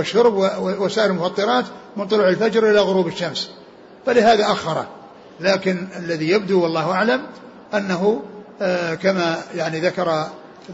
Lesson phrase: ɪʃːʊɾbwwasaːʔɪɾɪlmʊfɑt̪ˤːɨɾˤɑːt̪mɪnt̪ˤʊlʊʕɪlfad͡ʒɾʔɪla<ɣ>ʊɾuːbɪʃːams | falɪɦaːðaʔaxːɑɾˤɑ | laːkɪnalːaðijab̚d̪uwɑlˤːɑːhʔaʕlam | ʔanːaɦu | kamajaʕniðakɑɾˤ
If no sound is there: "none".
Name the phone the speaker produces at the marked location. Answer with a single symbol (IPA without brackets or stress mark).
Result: ɣ